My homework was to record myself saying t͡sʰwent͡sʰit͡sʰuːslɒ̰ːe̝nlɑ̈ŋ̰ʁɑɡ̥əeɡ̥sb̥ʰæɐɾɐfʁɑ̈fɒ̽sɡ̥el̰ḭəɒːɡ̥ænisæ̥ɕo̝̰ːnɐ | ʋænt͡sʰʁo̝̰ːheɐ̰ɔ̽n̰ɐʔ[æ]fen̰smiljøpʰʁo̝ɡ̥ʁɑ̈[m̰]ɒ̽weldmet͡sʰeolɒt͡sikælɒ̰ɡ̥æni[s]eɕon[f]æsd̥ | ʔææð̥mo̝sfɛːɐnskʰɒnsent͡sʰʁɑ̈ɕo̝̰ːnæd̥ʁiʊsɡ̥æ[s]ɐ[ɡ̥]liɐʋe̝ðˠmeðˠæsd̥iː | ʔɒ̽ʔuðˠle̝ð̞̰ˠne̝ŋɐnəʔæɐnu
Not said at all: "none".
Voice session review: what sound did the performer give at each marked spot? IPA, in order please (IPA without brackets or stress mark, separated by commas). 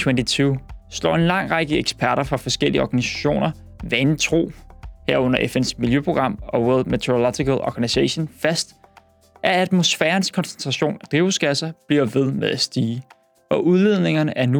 e, m̰, s, f, s, b̥